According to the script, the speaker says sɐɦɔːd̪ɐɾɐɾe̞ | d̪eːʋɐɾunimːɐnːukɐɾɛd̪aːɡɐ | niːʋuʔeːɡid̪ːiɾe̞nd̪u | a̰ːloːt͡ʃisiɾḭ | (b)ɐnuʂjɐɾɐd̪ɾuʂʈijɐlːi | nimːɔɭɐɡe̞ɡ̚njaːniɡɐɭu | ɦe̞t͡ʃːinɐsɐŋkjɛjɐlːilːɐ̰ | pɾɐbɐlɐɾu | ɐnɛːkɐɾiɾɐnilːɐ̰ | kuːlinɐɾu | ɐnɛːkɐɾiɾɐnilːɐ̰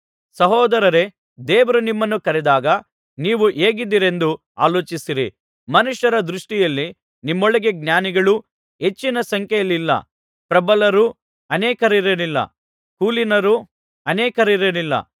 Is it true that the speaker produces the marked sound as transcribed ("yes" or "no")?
no